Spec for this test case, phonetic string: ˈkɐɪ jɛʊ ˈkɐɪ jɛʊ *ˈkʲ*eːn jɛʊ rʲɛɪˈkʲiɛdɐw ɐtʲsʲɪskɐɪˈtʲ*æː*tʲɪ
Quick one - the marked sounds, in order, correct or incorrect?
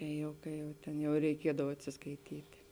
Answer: incorrect, incorrect

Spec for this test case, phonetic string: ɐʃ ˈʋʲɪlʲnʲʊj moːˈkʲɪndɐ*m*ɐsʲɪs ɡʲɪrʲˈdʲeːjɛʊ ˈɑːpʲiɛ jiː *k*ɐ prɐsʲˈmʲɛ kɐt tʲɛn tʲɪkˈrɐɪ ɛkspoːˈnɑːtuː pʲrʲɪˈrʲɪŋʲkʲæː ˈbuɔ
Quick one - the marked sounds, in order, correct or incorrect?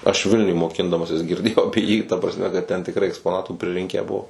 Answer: correct, incorrect

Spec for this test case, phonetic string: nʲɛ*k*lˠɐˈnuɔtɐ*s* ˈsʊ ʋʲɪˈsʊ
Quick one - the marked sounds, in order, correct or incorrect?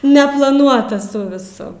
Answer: incorrect, correct

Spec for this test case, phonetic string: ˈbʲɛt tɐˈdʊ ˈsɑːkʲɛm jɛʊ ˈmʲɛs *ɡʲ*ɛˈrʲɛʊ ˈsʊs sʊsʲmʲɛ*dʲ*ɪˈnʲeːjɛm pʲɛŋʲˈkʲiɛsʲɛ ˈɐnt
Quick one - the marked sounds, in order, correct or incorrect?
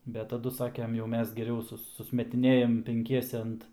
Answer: correct, incorrect

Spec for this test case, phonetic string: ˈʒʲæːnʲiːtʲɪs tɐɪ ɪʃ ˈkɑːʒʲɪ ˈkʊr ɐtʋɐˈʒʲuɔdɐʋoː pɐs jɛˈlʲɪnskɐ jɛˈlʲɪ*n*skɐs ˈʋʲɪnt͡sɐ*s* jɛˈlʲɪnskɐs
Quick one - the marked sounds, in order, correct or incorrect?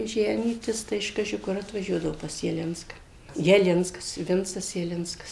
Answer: correct, correct

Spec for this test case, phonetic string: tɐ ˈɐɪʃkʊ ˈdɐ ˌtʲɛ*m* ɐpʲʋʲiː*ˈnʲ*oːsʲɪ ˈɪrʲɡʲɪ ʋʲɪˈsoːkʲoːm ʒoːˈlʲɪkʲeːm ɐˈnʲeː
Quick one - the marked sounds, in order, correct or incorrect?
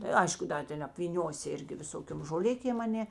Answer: incorrect, correct

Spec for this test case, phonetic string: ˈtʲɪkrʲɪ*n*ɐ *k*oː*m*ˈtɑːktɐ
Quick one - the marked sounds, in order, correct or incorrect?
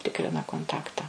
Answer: correct, correct, incorrect

